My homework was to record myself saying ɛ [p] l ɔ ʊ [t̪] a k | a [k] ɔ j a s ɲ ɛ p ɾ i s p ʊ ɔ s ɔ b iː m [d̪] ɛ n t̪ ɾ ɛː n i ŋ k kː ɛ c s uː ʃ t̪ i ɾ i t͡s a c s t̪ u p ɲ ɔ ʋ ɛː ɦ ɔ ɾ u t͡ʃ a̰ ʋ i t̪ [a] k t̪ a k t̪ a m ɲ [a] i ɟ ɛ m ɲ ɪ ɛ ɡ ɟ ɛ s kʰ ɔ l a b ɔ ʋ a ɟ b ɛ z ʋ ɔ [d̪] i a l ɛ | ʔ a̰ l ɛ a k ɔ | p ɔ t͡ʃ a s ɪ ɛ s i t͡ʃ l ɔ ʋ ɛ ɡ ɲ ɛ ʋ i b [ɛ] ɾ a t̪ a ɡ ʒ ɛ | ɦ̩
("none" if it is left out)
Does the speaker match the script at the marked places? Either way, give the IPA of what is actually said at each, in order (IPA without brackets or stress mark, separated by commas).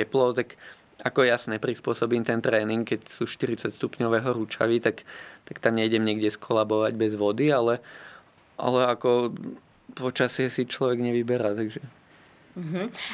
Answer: p, t̪, k, t̪, a, ɛ, d̪, ɛ